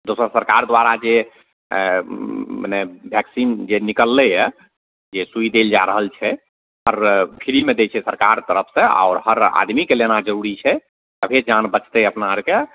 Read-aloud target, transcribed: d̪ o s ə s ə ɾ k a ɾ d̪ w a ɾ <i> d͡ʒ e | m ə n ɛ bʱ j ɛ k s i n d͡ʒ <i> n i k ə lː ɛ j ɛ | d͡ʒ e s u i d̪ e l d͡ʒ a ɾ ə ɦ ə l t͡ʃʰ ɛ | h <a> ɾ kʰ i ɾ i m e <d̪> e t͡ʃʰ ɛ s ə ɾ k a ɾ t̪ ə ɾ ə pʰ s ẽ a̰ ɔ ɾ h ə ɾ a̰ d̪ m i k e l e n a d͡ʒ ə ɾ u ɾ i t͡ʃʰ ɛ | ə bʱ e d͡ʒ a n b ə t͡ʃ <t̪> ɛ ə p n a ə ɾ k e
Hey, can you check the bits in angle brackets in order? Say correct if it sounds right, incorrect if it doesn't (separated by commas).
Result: incorrect, incorrect, incorrect, correct, correct